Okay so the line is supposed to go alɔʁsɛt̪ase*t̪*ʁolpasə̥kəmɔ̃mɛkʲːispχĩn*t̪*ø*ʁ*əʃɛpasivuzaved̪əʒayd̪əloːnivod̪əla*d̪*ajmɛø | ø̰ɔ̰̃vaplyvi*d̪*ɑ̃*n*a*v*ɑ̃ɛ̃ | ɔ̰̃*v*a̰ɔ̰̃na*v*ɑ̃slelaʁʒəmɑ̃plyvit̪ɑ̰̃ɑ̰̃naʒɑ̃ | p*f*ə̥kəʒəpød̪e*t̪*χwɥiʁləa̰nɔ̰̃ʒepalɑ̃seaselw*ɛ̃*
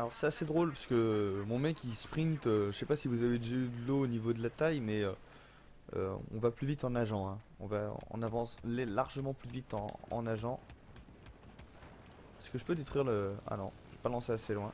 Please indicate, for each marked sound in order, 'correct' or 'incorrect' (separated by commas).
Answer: incorrect, correct, incorrect, incorrect, incorrect, correct, incorrect, correct, correct, incorrect, correct, correct